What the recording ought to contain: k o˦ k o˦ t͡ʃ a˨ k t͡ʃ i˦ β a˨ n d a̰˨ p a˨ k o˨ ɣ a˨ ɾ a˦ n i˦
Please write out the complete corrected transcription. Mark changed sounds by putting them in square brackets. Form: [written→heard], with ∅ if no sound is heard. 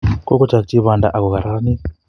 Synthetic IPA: k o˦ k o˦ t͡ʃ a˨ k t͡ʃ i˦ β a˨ n d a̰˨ [p→ʔ] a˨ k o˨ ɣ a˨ ɾ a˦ n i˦

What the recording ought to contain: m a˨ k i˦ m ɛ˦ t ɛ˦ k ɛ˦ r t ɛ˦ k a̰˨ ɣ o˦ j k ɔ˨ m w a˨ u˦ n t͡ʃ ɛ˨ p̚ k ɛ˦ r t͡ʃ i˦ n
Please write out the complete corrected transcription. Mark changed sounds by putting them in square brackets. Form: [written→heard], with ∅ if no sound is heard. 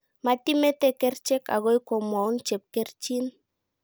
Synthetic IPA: m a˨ [k→t] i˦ m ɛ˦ t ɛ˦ k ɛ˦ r [t→t͡ʃ] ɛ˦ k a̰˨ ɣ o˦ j k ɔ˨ m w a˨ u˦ n t͡ʃ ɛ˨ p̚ k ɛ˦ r t͡ʃ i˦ n

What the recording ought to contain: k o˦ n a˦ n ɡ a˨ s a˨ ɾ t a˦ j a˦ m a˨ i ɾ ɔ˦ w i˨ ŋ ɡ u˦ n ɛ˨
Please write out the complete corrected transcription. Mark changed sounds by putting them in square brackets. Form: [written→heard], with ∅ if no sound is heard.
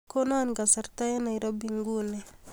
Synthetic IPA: k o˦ n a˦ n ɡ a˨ s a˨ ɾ t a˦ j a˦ [m→n] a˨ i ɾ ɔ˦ [w→b] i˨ ŋ ɡ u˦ n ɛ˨

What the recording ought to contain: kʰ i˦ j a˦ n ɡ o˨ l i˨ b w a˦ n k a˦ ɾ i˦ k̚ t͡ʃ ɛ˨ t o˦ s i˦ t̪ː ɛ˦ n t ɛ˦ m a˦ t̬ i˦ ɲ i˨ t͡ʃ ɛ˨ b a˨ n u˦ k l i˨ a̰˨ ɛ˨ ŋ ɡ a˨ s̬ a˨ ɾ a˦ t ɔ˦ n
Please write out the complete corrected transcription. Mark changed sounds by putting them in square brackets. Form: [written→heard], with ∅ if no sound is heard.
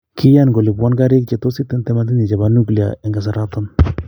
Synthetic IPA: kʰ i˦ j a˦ n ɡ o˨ l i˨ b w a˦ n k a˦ ɾ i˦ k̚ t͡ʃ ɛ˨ t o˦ s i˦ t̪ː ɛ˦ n t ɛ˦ m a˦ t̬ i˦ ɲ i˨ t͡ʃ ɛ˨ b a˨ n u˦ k l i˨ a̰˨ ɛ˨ ŋ ɡ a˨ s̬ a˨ ɾ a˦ t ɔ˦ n

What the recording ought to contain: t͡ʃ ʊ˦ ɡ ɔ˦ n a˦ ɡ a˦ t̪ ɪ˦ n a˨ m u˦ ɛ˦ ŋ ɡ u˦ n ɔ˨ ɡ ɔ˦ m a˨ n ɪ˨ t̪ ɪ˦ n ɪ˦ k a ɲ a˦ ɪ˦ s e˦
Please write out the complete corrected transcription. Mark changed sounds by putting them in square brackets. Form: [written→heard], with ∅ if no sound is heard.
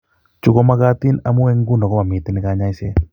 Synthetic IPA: t͡ʃ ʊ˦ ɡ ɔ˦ [n→m] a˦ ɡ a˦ t̪ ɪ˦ n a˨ m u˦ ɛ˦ ŋ ɡ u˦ n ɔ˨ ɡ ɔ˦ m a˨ [n→m] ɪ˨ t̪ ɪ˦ n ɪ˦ k a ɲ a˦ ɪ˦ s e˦

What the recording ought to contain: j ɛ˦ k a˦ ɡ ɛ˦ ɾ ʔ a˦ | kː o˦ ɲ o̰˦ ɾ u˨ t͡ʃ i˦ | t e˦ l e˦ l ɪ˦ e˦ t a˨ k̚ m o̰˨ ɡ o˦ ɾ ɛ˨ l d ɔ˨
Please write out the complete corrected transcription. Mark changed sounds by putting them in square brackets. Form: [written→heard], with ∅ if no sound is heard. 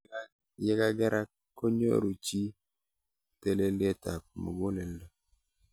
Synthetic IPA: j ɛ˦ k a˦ ɡ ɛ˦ ɾ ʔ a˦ | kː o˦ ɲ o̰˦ ɾ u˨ t͡ʃ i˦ | t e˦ l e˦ l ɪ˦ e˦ t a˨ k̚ m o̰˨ ɡ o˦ [ɾ→l] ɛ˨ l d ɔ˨

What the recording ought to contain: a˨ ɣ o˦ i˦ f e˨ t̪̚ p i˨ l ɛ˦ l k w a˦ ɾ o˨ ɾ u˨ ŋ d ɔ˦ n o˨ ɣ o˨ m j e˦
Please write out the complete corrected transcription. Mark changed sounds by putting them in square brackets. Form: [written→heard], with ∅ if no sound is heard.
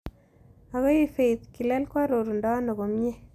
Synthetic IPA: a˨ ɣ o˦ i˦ f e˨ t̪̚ [p→k] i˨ l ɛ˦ l k w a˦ ɾ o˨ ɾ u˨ [ŋ→n] d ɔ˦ n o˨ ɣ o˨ m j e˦

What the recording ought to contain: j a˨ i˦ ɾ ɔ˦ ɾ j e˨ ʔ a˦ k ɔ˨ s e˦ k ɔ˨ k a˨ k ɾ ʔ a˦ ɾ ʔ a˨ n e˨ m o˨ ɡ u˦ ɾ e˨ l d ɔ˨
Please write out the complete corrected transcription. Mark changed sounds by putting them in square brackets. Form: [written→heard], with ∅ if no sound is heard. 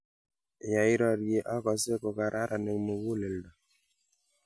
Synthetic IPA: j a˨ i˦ ɾ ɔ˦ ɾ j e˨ ʔ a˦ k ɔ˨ s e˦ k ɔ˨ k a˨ [k→∅] ɾ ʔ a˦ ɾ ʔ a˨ n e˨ m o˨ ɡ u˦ [ɾ→l] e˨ l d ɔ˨

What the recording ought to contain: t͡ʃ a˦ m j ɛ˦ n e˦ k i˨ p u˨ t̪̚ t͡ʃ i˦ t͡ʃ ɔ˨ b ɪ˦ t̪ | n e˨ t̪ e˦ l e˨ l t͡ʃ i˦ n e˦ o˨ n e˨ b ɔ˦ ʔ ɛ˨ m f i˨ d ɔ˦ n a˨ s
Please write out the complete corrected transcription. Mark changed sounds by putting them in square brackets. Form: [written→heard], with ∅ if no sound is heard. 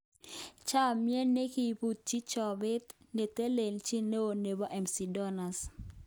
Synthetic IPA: t͡ʃ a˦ m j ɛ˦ n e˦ k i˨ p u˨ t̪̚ t͡ʃ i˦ t͡ʃ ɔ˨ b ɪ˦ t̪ | n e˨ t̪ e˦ l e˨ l t͡ʃ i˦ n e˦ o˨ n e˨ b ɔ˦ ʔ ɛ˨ m [f→s] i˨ d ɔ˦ n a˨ s

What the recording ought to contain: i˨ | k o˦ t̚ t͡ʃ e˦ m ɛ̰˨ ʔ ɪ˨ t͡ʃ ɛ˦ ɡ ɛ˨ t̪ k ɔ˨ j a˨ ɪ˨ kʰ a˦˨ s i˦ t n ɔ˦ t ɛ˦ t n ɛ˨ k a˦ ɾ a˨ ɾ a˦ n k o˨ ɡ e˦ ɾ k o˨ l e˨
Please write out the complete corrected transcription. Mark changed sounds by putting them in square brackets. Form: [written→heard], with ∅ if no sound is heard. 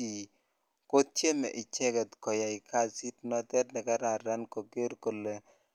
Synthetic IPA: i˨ | k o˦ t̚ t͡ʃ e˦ m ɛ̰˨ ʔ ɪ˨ t͡ʃ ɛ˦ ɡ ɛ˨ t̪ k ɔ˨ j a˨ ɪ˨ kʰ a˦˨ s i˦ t n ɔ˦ t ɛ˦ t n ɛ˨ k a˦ ɾ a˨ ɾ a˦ n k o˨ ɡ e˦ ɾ k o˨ l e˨

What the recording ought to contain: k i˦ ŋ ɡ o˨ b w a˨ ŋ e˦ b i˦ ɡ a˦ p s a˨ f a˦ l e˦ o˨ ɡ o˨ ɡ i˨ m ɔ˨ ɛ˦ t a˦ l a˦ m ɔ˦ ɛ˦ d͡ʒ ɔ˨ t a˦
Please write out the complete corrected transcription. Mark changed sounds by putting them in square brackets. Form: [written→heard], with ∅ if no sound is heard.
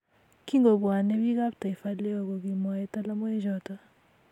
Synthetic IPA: k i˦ ŋ ɡ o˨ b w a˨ [ŋ→n] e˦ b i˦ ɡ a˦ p [s→t] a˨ f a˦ l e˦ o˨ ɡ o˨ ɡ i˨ m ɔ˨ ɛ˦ t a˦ l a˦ m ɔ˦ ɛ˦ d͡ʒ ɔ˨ t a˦

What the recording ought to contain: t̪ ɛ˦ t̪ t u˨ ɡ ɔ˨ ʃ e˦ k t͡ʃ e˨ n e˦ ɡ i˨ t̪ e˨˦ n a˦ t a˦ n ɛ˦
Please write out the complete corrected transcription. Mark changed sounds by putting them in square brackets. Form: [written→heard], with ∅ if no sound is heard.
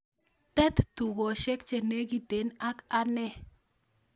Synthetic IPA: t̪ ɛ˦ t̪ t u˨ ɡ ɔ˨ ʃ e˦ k t͡ʃ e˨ n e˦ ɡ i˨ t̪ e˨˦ n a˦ [t→k] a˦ n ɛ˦

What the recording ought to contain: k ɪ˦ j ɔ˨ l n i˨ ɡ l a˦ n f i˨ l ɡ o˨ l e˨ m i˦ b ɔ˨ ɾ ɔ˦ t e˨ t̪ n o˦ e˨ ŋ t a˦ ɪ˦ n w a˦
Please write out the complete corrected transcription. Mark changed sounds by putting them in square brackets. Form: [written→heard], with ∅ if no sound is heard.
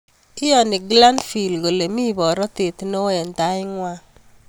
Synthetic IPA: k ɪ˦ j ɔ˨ [l→∅] n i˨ ɡ l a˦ n f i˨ l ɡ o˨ l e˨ m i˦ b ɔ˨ ɾ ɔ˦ t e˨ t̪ n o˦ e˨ [ŋ→n] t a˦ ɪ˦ [n→ŋ] w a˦

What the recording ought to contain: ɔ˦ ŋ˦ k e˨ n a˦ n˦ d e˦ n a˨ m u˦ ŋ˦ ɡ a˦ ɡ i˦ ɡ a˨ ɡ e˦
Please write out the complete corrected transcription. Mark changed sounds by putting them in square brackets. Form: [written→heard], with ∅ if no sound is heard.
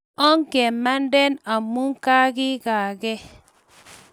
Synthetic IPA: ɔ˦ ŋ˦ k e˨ [n→m] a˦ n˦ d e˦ n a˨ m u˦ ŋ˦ [ɡ→k] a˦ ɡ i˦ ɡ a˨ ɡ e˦

